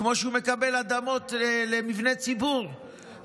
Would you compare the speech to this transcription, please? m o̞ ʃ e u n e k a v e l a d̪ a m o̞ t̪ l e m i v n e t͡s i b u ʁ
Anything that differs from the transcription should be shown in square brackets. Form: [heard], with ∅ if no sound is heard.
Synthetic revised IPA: m o̞ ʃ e u [m] e k a [b] e l a d̪ a m o̞ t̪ l e m i v n e t͡s i b u ʁ